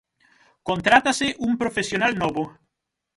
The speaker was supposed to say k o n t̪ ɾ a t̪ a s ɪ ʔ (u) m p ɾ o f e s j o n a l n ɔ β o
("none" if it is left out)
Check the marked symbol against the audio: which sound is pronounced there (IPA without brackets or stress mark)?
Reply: u